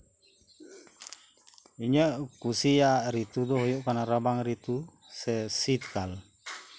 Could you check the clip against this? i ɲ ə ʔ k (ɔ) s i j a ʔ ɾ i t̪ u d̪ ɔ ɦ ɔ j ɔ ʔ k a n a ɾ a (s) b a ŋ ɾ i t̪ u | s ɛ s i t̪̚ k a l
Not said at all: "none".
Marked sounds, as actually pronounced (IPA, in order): u, none

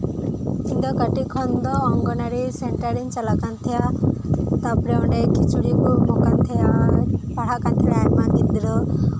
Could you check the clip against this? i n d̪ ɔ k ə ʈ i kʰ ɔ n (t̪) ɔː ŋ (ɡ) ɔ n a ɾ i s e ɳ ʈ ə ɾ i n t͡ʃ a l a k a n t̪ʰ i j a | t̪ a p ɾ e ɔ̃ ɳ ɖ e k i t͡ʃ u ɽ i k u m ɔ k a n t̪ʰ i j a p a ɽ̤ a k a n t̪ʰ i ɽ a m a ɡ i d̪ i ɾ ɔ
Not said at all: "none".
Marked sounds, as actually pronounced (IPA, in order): d̪, ɡ

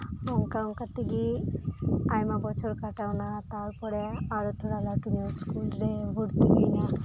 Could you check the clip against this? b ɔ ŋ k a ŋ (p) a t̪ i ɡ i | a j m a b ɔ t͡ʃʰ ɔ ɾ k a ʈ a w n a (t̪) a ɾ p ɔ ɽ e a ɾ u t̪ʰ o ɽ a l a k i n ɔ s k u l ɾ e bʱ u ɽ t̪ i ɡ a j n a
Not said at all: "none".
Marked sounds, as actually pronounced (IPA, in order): k, t̪

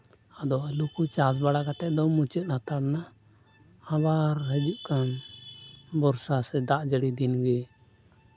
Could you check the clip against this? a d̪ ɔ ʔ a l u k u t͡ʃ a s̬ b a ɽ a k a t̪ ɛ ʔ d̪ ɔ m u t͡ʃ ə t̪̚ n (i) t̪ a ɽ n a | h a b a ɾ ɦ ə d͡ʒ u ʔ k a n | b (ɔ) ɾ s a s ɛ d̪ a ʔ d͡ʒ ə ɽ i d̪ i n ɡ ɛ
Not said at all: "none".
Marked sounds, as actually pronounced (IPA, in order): a, ɔ

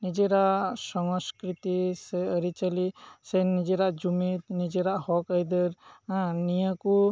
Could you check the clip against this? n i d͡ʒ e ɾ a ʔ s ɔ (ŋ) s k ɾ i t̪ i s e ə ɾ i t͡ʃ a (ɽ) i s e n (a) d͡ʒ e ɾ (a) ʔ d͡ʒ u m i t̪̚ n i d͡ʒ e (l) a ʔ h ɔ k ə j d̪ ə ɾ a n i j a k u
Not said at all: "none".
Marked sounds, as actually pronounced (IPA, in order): ŋ, l, i, a, ɾ

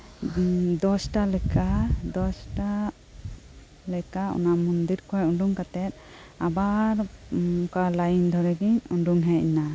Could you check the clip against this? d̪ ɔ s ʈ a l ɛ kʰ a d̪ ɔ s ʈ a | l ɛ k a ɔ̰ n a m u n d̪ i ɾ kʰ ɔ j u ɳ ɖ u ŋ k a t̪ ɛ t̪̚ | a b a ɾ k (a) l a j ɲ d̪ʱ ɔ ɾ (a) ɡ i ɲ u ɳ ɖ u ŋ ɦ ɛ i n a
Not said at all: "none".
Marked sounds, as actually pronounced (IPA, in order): a, ɛ

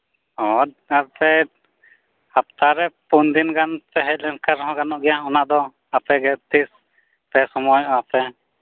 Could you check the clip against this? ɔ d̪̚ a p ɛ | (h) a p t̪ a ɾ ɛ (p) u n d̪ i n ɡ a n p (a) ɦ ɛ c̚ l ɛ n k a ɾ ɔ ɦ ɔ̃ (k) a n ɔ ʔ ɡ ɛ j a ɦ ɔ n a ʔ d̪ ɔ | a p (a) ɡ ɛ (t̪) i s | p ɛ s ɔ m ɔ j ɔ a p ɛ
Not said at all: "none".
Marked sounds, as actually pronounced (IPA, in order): h, p, ɛ, ɡ, ɛ, t̪

